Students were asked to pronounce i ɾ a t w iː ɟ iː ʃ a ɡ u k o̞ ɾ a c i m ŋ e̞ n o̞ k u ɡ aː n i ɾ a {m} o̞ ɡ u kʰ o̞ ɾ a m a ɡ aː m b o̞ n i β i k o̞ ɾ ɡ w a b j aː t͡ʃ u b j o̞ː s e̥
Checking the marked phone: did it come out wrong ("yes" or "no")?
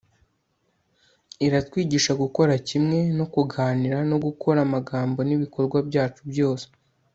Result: yes